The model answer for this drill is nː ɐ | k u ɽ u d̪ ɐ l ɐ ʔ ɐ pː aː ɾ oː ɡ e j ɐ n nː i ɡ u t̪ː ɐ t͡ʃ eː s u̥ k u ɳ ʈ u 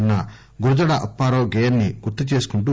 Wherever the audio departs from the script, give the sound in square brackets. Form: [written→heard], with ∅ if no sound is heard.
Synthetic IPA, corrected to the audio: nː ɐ | [k→ɡ] u [ɽ→ɾ] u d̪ ɐ [l→ɽ] ɐ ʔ ɐ pː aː ɾ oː ɡ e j ɐ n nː i ɡ u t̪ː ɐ t͡ʃ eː s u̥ k u ɳ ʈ u